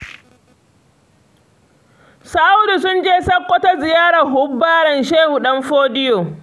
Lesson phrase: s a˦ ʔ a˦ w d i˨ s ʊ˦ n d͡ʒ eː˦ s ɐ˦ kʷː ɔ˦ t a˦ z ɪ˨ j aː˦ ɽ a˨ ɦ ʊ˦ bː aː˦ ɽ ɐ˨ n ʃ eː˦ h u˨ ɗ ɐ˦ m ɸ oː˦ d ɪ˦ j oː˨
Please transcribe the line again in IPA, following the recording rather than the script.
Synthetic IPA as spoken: s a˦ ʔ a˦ w d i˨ s ʊ˦ n d͡ʒ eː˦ s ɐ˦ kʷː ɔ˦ t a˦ z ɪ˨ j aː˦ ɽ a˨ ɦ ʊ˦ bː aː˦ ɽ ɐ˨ n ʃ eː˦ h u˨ ɗ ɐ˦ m ɸ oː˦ d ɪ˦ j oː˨

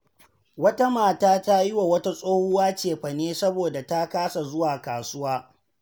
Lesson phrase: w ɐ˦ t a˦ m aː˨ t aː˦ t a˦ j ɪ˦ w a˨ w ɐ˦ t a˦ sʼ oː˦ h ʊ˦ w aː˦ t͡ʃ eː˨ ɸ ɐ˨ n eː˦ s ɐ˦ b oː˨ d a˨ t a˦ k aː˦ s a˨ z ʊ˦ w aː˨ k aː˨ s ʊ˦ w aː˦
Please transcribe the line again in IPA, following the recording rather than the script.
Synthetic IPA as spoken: w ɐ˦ t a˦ m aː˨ t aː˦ t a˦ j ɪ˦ w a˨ w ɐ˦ t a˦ sʼ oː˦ h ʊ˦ w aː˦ t͡ʃ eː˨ ɸ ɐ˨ n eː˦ s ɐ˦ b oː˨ d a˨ t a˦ k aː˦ s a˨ z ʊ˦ w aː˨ k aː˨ s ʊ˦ w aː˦

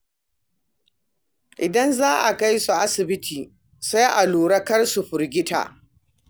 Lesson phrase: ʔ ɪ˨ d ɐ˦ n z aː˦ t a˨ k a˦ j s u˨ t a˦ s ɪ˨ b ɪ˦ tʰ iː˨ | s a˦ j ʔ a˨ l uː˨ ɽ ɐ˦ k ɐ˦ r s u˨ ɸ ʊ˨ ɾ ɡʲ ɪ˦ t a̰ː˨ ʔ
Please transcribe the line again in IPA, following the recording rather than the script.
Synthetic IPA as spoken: ʔ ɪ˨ d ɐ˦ n z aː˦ ʔ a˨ k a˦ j s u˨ ʔ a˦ s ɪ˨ b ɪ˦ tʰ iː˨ | s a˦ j ʔ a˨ l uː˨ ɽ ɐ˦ k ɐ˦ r s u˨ ɸ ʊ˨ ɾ ɡʲ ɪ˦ t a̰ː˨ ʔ

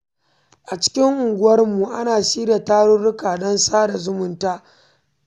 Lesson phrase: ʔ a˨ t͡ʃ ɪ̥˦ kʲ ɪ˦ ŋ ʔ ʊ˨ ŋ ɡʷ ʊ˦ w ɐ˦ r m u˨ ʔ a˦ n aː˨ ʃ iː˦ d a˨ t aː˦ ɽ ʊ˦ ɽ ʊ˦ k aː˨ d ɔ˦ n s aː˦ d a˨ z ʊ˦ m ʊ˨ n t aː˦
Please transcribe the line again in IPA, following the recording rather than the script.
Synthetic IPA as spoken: ʔ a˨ t͡ʃ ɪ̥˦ kʲ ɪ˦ ŋ ʔ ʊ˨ ŋ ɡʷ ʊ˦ w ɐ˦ r m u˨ ʔ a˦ n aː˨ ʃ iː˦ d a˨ t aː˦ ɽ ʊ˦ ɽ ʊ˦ k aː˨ d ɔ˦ n s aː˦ d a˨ z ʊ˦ m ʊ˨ n t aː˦

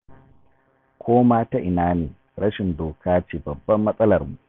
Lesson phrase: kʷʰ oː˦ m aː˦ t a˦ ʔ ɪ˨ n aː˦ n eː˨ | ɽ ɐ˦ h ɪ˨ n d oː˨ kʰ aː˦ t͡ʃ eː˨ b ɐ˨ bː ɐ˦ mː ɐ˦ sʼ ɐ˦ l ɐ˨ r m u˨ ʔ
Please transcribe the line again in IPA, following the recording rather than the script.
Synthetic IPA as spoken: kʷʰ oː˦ m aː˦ t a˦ ʔ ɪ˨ n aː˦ n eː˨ | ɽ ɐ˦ ʃ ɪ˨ n d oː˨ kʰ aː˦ t͡ʃ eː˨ b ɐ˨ bː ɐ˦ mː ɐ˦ sʼ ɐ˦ l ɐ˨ r m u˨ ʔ

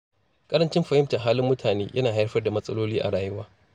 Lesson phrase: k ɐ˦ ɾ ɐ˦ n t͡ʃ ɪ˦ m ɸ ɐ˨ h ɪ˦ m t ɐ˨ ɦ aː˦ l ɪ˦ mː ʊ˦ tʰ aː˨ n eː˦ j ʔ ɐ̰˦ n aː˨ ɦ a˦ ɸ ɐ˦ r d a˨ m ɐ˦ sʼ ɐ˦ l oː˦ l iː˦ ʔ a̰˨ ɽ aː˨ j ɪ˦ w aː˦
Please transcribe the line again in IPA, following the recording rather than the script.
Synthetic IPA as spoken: kʼ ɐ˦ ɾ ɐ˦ n t͡ʃ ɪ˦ m ɸ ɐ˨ h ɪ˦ m t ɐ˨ ɦ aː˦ l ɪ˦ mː ʊ˦ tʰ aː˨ n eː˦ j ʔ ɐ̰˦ n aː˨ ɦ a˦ ɸ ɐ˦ r d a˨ m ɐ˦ sʼ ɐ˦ l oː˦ l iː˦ ʔ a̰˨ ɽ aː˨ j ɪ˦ w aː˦

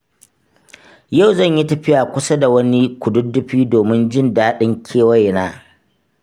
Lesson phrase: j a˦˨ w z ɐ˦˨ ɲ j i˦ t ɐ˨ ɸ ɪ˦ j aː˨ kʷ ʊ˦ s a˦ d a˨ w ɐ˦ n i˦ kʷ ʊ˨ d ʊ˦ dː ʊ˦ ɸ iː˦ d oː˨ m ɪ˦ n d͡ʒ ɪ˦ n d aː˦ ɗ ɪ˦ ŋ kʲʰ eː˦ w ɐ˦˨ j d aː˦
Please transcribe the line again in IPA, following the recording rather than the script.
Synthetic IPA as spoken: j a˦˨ w z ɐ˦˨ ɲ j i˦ t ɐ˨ ɸ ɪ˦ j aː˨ kʷ ʊ˦ s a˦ d a˨ w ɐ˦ n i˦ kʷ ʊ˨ d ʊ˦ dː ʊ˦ ɸ iː˦ d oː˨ m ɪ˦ n d͡ʒ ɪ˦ n d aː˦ ɗ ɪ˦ ŋ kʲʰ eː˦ w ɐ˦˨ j n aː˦

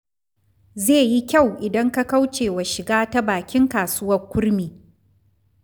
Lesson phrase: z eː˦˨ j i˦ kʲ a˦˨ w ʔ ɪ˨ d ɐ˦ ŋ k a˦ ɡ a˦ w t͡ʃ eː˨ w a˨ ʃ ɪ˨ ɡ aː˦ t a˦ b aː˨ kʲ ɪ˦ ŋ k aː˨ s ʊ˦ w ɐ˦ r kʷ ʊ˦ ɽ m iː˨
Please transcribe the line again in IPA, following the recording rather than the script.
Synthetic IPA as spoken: z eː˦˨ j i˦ kʲ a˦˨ w ʔ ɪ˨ d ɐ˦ ŋ k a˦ k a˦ w t͡ʃ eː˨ w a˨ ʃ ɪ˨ ɡ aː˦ t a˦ b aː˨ kʲ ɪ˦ ŋ k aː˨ s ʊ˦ w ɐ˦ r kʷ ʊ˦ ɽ m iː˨

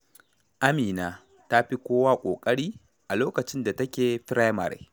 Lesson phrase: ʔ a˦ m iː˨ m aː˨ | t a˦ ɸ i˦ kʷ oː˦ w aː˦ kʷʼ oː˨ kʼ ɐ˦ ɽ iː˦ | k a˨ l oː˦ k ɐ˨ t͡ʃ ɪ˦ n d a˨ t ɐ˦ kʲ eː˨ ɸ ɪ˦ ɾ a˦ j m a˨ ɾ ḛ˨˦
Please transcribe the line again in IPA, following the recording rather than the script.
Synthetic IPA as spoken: ʔ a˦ m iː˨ n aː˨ | t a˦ ɸ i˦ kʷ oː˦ w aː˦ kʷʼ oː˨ kʼ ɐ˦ ɽ iː˦ | ʔ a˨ l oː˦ k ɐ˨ t͡ʃ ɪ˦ n d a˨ t ɐ˦ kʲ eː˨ ɸ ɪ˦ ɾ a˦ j m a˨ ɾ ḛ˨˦

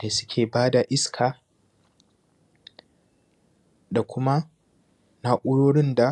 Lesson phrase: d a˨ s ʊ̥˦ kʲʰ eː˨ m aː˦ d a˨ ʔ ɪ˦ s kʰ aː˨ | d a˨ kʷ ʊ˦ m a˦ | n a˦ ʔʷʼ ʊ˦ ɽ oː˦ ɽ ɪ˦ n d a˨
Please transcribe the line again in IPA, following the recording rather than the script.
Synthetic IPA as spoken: d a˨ s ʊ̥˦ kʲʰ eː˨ b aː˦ d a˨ ʔ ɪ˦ s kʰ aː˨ | d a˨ kʷ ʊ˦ m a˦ | n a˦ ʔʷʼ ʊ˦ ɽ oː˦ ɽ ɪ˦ n d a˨

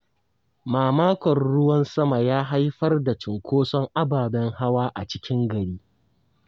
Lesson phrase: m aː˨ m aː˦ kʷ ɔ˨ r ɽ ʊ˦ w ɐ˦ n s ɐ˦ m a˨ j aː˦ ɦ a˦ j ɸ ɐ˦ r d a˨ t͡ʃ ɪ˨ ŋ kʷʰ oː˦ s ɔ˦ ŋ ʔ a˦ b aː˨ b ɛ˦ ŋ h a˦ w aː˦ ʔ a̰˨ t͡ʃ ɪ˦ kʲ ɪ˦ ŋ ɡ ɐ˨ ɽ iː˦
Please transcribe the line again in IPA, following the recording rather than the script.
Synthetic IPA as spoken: m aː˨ m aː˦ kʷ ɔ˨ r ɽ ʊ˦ w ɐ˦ n s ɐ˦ m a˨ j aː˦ ɦ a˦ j ɸ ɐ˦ r d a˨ t͡ʃ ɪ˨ ŋ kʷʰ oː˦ s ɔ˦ ŋ ʔ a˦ b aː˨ b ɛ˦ ŋ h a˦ w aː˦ ʔ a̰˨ t͡ʃ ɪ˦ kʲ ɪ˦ ŋ ɡ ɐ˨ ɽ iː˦

